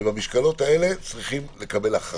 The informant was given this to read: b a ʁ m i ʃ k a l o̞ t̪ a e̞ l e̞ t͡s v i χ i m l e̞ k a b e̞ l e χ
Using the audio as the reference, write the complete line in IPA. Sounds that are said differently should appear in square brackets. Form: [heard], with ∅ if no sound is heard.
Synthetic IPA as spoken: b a [∅] m i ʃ k a l o̞ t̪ a e̞ l e̞ t͡s [ʁ] i χ i m l e̞ k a b e̞ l [a] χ